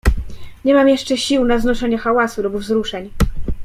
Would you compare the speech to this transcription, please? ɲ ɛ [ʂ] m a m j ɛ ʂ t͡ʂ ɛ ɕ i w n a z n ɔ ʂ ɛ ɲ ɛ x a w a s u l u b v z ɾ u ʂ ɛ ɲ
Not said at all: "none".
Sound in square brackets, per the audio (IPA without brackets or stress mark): none